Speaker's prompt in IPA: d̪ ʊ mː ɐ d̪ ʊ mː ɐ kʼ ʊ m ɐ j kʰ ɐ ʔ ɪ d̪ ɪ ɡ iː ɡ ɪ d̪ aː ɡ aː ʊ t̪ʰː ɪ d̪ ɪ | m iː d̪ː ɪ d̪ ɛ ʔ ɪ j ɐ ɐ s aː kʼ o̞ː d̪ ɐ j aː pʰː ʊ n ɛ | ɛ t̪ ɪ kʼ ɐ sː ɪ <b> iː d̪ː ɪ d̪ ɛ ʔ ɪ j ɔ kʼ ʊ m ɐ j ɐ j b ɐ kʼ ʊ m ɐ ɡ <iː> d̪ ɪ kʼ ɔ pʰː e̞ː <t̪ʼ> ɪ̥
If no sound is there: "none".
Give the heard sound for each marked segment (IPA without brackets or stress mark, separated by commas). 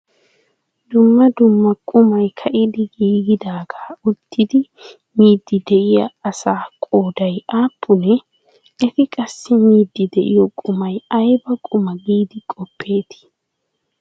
m, iː, t̪